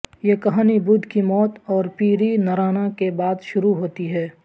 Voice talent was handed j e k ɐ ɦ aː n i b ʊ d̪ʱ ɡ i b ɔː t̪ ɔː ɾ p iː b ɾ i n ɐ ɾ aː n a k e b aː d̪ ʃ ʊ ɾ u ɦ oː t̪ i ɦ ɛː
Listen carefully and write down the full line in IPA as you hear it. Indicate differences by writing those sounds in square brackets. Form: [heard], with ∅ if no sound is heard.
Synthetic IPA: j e k ɐ ɦ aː n i b ʊ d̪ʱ [k] i [m] ɔː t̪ ɔː ɾ p iː [∅] ɾ i n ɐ ɾ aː n a k e b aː d̪ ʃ ʊ ɾ u ɦ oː t̪ i ɦ ɛː